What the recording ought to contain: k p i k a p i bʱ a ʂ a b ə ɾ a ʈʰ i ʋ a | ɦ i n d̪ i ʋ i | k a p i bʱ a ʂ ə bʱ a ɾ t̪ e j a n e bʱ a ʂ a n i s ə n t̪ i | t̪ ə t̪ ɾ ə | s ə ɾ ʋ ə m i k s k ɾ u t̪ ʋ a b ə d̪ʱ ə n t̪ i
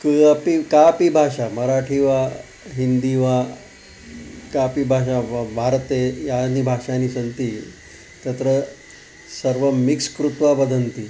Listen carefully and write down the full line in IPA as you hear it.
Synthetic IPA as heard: k p i k a p i bʱ a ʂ a m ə ɾ a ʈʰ i ʋ a | ɦ i n d̪ i ʋ a | k a p i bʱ a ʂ a bʱ a ɾ t̪ e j a n i bʱ a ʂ a n i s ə n t̪ i | t̪ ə t̪ ɾ ə | s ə ɾ ʋ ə m i k s k ɾ u t̪ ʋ a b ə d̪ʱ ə n t̪ i

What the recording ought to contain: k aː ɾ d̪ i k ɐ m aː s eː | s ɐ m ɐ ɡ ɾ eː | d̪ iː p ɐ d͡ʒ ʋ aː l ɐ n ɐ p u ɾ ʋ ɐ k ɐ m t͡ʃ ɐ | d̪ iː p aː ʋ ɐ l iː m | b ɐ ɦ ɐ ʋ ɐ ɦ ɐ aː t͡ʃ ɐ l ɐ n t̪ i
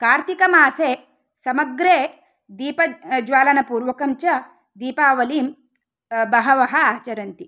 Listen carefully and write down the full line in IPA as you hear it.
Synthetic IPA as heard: k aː ɾ t̪ i k ɐ m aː s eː | s ɐ m ɐ ɡ ɾ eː | d̪ iː p ɐ d͡ʒ ʋ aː l ɐ n ɐ p uː ɾ ʋ ɐ k ɐ m t͡ʃ ɐ | d̪ iː p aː ʋ ɐ l iː m | b ɐ ɦ ɐ ʋ ɐ ɦ ɐ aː t͡ʃ ɐ ɾ ɐ n t̪ i

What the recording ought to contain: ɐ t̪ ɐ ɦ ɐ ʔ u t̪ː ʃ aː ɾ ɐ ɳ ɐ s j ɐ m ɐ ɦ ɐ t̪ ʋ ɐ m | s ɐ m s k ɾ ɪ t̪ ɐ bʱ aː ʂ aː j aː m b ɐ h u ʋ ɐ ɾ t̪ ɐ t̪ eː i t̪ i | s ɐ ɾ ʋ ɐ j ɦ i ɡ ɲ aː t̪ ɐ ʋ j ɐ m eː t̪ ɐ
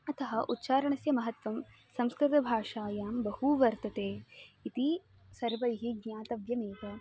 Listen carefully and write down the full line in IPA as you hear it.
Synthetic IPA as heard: ɐ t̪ ɐ ɦ ɐ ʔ u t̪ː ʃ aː ɾ ɐ ɳ ɐ s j ɐ m ɐ ɦ ɐ t̪ ʋ ɐ m | s ɐ m s k ɾ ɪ t̪ ɐ bʱ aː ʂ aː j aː m b ɐ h u ʋ ɐ ɾ t̪ ɐ t̪ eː i t̪ i | s ɐ ɾ ʋ ɐ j ɦ i ɡ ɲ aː t̪ ɐ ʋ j ɐ m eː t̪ ɐ

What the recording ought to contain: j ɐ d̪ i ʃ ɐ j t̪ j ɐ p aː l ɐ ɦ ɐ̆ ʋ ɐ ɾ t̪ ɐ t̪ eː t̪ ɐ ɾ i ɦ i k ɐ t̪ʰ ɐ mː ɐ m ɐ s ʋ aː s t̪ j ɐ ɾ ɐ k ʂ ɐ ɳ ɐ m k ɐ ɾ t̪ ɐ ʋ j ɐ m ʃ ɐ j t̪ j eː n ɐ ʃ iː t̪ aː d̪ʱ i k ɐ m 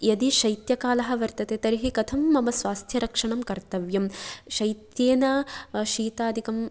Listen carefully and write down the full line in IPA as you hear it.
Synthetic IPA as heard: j ɐ d̪ i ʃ ɐ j t̪ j ɐ k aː l ɐ ɦ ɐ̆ ʋ ɐ ɾ t̪ ɐ t̪ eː t̪ ɐ ɾ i ɦ i k ɐ t̪ʰ ɐ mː ɐ m ɐ s ʋ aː s t̪ʰ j ɐ ɾ ɐ k ʂ ɐ ɳ ɐ m k ɐ ɾ t̪ ɐ ʋ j ɐ m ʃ ɐ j t̪ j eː n ɐ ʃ iː t̪ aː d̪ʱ i k ɐ m

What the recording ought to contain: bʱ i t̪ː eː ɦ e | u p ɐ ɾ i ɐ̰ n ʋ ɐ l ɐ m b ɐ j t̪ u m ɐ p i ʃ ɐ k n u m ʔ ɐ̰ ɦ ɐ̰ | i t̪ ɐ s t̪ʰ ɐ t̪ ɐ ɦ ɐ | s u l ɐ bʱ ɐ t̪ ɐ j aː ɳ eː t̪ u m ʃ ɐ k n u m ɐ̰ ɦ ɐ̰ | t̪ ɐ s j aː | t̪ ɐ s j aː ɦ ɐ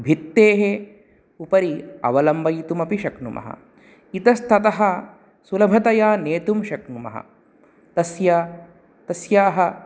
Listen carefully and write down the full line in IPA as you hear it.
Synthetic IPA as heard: bʱ i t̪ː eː ɦ e | u p ɐ ɾ i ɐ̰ ʋ ɐ l ɐ m b ɐ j t̪ u m ɐ p i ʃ ɐ k n u m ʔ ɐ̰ ɦ ɐ̰ | i t̪ ɐ s t̪ʰ ɐ t̪ ɐ ɦ ɐ | s u l ɐ bʱ ɐ t̪ ɐ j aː n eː t̪ u m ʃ ɐ k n u m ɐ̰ ɦ ɐ̰ | t̪ ɐ s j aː | t̪ ɐ s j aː ɦ ɐ

